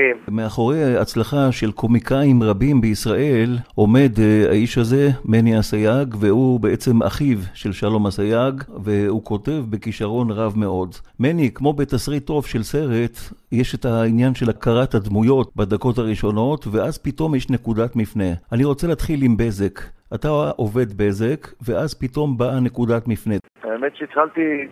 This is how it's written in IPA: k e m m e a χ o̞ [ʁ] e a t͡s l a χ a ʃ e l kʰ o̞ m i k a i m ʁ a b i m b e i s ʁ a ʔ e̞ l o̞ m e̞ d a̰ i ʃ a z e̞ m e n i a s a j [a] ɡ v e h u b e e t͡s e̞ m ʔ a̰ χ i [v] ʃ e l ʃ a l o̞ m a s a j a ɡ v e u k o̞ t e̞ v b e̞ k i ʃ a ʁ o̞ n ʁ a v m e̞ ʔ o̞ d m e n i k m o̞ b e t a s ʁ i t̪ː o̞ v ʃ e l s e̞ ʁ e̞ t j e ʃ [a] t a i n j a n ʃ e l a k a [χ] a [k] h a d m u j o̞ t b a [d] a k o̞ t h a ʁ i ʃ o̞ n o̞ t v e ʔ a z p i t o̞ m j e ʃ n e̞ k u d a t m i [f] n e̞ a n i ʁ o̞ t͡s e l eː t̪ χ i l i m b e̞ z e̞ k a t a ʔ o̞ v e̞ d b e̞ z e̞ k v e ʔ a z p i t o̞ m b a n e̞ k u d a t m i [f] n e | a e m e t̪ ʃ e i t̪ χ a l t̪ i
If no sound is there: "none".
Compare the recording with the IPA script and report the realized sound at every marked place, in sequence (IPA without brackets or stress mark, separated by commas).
ʁ, a, v, e, ʁ, t, d, f, f